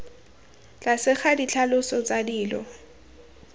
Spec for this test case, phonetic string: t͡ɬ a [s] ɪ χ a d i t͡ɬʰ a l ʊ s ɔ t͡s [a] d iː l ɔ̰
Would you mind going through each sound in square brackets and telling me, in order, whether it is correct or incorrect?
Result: correct, correct

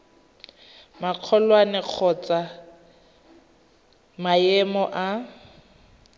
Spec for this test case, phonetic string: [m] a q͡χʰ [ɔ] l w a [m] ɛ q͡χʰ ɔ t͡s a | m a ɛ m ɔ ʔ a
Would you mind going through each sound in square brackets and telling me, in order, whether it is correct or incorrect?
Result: correct, correct, incorrect: n

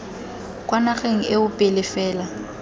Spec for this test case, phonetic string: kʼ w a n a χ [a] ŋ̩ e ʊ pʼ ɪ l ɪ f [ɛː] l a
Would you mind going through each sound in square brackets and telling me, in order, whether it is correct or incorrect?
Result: incorrect: e, correct

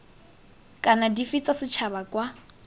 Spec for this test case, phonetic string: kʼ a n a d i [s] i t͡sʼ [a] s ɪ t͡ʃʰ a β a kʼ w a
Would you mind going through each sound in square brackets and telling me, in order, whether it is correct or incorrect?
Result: incorrect: f, correct

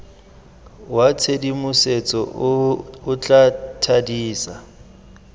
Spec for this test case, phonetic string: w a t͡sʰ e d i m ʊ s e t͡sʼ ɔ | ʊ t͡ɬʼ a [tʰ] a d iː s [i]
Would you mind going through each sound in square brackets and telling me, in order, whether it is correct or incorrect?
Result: correct, incorrect: a

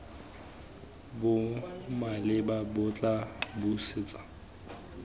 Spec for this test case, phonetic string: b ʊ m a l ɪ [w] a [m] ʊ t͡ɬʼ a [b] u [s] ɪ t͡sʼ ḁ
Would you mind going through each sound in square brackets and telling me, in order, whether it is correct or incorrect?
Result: incorrect: b, incorrect: b, correct, correct

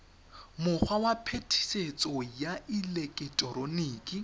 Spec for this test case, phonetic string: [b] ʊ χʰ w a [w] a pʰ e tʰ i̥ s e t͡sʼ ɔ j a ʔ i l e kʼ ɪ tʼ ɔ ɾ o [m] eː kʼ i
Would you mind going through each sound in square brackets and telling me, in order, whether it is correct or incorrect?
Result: incorrect: m, correct, incorrect: n

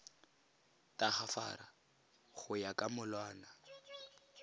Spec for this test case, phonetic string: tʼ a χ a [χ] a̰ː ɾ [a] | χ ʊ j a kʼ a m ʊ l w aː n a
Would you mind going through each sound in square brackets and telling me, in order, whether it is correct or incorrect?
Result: incorrect: f, correct

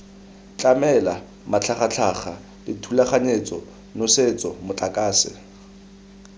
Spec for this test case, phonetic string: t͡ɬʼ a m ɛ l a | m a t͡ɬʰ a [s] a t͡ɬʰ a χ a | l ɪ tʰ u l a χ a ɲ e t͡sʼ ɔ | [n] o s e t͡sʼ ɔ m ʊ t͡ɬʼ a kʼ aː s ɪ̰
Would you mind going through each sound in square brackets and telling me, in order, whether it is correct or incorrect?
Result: incorrect: χ, correct

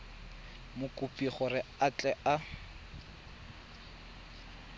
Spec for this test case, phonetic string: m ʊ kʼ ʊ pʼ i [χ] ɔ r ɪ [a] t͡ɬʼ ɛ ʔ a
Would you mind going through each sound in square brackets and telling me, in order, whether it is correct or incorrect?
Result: correct, correct

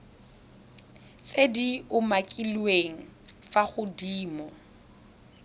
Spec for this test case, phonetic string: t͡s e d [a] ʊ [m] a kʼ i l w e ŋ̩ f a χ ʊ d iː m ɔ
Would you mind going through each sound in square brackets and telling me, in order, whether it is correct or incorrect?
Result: incorrect: i, correct

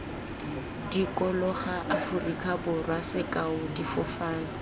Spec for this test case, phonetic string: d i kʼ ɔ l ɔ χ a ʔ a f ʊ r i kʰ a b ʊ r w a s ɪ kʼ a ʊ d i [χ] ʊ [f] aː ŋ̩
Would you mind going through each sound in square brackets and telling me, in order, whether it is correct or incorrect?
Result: incorrect: f, correct

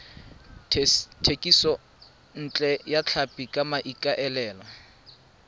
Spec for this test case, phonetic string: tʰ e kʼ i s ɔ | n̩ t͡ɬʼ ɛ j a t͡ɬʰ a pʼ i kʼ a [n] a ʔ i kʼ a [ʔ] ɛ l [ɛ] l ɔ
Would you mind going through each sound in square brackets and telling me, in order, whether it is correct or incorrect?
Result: incorrect: m, correct, incorrect: ɛː

